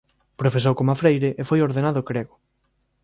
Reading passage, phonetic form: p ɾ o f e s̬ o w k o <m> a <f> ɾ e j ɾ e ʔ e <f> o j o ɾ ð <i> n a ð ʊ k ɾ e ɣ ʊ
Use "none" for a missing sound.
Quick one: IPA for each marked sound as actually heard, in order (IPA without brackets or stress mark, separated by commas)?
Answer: m, f, f, e